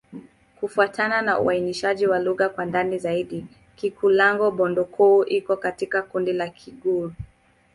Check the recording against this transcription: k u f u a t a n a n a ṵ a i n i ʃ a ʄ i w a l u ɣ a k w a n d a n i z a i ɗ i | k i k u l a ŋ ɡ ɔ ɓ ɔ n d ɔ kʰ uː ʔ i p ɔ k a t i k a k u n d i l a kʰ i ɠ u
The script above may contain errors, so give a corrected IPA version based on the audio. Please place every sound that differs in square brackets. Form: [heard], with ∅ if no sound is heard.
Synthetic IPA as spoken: k u f u a t a n a n a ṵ a i n i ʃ a ʄ i w a l u ɣ a k w a n d a n i z a i ɗ i | k i k u l a ŋ ɡ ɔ ɓ ɔ n d ɔ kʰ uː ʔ i [k] ɔ k a t i k a k u n d i l a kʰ i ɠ u